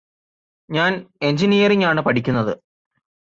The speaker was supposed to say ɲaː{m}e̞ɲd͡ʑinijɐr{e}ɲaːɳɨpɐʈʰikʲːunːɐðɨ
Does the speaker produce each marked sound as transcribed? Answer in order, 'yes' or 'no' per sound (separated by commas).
no, no